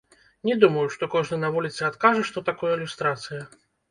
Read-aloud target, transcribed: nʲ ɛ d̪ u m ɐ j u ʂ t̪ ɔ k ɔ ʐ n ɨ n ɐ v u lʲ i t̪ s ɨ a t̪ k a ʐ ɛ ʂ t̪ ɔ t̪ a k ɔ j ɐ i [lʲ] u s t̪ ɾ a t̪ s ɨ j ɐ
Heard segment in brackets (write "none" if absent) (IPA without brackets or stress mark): lʲ